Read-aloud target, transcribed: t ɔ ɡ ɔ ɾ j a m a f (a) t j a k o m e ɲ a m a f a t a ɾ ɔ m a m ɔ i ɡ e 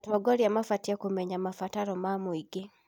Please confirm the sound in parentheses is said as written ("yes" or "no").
yes